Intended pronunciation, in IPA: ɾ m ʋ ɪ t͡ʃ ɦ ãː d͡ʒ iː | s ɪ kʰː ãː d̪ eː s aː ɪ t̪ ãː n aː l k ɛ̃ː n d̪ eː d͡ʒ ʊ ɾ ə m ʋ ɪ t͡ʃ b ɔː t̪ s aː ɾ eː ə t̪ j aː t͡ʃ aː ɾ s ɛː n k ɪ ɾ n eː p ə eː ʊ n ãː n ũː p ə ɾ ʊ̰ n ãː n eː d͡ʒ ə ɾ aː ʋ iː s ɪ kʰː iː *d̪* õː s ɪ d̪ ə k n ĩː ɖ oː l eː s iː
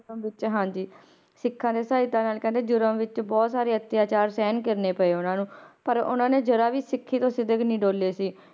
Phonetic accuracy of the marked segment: incorrect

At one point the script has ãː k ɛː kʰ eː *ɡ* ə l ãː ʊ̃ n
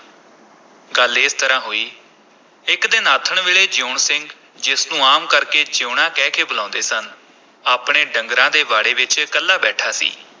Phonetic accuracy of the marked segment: incorrect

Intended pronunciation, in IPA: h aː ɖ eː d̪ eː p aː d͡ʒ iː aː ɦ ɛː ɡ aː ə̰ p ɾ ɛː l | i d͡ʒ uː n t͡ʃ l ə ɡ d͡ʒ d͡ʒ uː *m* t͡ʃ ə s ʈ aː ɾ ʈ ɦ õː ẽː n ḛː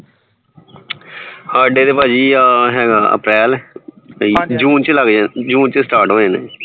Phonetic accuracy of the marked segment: incorrect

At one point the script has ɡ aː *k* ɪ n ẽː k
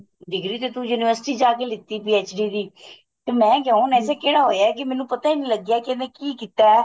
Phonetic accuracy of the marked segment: correct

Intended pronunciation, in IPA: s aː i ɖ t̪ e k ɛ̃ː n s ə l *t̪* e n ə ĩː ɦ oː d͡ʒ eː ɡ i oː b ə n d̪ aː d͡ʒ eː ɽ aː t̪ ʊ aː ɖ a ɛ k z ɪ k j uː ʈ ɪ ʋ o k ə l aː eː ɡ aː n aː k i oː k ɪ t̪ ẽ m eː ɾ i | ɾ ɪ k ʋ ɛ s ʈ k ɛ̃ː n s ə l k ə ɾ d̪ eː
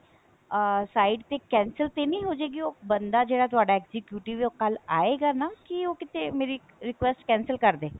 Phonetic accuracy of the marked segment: correct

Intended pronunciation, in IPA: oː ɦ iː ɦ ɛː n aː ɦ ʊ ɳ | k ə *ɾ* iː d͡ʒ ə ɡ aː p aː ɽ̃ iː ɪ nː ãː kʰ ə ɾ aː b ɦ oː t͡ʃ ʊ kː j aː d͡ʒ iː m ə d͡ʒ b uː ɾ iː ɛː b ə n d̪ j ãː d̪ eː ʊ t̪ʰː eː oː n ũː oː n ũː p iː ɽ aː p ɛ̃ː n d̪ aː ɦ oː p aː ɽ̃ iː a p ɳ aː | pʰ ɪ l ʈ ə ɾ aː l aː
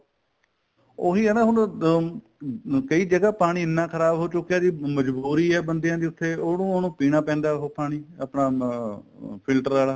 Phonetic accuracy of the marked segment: incorrect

